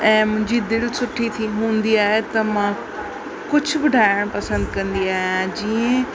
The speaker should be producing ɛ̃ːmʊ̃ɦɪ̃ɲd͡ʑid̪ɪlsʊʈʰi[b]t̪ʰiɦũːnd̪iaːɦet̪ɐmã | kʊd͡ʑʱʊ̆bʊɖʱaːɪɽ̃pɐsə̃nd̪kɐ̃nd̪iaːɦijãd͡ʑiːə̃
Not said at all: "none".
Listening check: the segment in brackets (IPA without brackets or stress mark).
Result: none